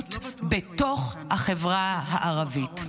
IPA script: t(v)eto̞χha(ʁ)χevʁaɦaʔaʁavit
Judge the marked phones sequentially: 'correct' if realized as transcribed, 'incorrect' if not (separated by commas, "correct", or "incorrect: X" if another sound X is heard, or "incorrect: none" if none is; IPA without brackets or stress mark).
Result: incorrect: b, incorrect: none